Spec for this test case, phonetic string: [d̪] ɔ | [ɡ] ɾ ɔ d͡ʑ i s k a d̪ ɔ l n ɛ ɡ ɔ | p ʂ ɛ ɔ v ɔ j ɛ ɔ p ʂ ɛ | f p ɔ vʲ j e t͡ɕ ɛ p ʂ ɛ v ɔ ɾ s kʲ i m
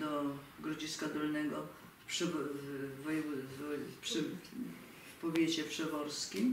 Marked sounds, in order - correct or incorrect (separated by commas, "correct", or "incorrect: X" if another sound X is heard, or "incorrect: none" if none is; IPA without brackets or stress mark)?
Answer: correct, correct